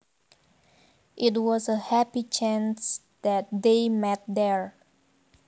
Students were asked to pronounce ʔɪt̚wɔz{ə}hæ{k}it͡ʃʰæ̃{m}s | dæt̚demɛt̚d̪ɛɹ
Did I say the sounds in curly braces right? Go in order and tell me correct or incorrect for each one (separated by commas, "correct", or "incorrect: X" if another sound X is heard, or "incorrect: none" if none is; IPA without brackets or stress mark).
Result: correct, incorrect: p, incorrect: n